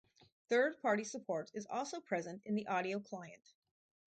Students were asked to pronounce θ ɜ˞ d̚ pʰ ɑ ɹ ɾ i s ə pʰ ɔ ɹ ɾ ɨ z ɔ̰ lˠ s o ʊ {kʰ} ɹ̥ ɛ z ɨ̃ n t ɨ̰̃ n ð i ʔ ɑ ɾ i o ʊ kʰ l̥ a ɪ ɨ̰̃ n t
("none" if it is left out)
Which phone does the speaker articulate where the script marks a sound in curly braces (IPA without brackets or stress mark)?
pʰ